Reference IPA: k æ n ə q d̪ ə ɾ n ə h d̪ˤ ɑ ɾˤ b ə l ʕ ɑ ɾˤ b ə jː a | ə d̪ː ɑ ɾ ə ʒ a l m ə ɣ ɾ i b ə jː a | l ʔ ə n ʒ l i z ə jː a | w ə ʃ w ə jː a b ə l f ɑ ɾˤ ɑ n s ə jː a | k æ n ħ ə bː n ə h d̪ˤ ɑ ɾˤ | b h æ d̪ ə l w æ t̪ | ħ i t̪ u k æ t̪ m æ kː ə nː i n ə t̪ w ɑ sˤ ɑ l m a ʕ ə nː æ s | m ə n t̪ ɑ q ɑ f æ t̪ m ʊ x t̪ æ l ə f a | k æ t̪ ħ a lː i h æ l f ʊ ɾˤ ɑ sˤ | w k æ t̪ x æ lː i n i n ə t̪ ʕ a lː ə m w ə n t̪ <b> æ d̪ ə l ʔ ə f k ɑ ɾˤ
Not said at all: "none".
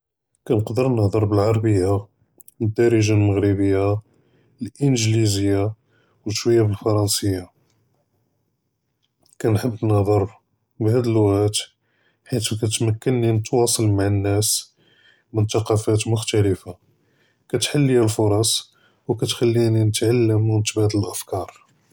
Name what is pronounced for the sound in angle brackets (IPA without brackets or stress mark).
b